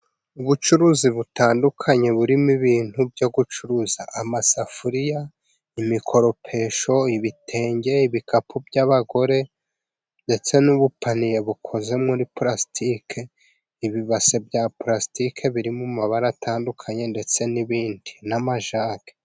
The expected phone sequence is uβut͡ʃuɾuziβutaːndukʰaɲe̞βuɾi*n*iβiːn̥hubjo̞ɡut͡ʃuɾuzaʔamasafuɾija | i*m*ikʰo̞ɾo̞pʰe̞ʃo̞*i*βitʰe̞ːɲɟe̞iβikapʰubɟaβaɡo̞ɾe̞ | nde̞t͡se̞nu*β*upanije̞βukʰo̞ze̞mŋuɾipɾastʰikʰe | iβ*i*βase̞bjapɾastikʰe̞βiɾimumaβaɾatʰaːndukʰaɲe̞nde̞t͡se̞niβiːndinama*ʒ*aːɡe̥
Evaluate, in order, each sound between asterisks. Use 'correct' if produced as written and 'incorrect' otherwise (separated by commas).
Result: incorrect, correct, correct, correct, correct, correct